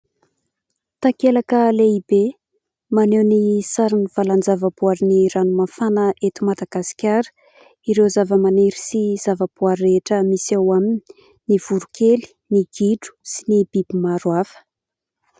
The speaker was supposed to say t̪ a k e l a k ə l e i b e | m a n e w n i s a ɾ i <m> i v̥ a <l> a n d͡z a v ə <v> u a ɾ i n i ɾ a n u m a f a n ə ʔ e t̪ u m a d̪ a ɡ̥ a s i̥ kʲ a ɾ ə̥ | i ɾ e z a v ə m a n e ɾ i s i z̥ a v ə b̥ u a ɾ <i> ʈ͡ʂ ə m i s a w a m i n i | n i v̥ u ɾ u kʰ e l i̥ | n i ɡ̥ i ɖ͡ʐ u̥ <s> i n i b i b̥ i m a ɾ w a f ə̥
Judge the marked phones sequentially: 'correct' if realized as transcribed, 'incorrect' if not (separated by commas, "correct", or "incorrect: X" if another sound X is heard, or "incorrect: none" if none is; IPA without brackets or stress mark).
incorrect: n, correct, incorrect: b, incorrect: e, correct